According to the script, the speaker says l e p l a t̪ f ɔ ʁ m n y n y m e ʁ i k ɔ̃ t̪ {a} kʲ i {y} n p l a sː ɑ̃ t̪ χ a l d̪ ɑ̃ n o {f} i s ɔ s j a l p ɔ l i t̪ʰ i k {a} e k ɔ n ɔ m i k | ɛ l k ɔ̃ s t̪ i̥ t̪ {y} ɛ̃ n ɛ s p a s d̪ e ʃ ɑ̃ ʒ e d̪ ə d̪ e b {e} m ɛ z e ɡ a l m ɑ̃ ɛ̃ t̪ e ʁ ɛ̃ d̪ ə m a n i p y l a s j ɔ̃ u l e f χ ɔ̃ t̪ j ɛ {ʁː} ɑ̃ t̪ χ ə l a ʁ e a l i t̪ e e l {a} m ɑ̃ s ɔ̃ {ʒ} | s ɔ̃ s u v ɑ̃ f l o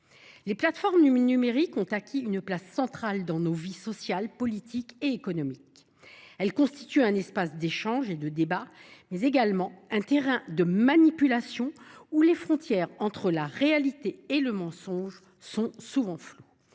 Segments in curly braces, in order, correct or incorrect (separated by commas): correct, correct, incorrect, incorrect, correct, incorrect, incorrect, incorrect, correct